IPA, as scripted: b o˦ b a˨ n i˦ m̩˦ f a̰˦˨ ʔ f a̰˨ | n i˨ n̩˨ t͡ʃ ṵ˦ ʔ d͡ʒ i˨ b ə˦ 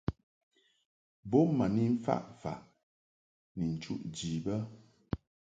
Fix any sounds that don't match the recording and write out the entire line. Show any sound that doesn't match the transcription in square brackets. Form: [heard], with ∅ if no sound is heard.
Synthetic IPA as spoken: b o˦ [m] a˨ n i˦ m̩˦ f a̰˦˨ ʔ f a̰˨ | n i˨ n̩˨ t͡ʃ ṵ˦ ʔ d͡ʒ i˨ b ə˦